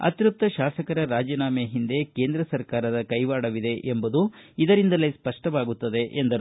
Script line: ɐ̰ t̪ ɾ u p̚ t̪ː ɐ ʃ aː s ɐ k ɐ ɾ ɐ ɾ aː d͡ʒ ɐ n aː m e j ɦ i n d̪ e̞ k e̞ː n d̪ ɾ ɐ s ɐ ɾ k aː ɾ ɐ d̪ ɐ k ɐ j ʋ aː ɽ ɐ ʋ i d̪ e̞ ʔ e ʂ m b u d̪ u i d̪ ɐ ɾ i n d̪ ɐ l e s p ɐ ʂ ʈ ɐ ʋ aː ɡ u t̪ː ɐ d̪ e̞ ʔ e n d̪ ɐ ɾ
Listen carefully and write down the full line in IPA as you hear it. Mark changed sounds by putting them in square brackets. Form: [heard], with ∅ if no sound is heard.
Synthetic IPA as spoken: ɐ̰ t̪ ɾ u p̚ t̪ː ɐ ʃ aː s ɐ k ɐ ɾ ɐ ɾ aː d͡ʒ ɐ n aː m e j ɦ i n d̪ e̞ k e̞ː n d̪ ɾ ɐ s ɐ ɾ k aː ɾ ɐ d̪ ɐ k ɐ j ʋ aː ɽ ɐ ʋ i d̪ e̞ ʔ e [∅] m b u d̪ u i d̪ ɐ ɾ i n d̪ ɐ l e s p ɐ ʂ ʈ ɐ ʋ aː ɡ u t̪ː ɐ d̪ e̞ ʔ e n d̪ ɐ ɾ